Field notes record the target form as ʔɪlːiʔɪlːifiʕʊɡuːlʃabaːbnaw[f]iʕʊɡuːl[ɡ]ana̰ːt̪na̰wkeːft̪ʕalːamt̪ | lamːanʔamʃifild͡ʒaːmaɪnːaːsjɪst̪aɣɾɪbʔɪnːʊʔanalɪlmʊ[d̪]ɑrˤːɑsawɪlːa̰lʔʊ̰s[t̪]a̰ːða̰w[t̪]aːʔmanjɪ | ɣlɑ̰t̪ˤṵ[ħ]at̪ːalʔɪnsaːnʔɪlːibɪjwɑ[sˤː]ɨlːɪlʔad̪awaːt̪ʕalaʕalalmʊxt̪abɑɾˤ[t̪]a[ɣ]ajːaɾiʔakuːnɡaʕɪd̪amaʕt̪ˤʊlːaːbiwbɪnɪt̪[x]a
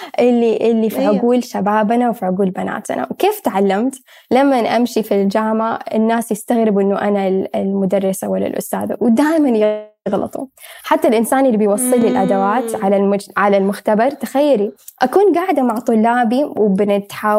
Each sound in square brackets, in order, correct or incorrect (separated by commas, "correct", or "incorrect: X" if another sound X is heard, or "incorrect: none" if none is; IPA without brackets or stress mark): correct, incorrect: b, correct, correct, incorrect: d̪, correct, correct, correct, incorrect: x, incorrect: ħ